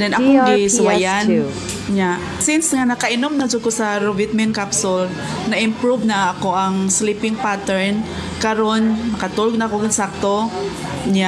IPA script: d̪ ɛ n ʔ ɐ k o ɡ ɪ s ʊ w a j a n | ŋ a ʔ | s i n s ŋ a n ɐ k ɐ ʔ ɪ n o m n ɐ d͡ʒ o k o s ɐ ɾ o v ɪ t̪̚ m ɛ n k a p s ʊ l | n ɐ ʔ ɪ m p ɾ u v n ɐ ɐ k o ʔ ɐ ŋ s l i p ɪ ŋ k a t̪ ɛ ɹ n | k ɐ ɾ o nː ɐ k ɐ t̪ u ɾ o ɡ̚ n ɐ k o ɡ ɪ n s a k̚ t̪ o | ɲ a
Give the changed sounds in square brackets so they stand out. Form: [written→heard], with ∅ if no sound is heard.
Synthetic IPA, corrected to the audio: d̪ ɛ n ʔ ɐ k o ɡ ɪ s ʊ w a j a n | [ŋ→ɲ] a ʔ | s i n s ŋ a n ɐ k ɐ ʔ ɪ n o m n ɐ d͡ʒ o k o s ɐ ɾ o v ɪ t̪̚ m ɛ n k a p s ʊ l | n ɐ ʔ ɪ m p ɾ u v n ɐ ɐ k o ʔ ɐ ŋ s l i p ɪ ŋ [k→p] a t̪ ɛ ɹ n | k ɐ ɾ o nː ɐ k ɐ t̪ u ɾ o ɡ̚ n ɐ k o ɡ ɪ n s a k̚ t̪ o | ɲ a